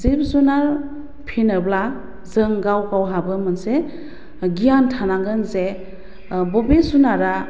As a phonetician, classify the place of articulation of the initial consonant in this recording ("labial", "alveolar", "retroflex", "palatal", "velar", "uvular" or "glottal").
alveolar